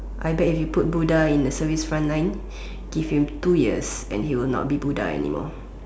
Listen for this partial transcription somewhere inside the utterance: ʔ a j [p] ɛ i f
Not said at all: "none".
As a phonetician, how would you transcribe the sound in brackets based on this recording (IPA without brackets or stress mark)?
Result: b